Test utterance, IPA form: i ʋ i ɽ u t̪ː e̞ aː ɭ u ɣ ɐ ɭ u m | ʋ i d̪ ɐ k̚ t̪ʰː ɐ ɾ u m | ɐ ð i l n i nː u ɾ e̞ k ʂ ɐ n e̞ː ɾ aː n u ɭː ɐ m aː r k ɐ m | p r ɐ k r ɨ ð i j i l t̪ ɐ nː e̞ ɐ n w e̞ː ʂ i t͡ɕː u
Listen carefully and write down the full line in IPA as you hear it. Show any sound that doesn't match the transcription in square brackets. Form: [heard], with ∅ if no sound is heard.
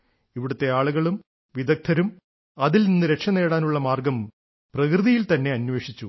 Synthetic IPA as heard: i ʋ i ɽ u t̪ː e̞ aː ɭ u ɣ ɐ ɭ u m | ʋ i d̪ ɐ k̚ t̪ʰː ɐ ɾ u m | ɐ ð i l n i nː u ɾ e̞ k ʂ ɐ n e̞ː [ɽ] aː n u ɭː ɐ m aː r [ɡ] ɐ m | p r ɐ k r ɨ ð i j i l t̪ ɐ nː e̞ ɐ n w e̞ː ʂ i t͡ɕː u